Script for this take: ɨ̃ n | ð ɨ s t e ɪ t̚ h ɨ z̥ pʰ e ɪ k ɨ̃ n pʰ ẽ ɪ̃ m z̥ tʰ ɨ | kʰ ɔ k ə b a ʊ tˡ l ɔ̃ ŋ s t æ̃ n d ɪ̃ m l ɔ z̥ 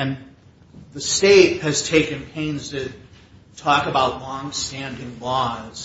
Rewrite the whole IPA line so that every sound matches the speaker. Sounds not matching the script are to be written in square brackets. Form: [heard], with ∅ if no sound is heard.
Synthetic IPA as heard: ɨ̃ n | ð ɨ s t e ɪ t̚ h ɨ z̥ [tʰ] e ɪ k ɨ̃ n pʰ ẽ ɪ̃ [n] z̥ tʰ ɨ | [tʰ] ɔ k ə b a ʊ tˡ l ɔ̃ ŋ s t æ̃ n d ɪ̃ [ŋ] l ɔ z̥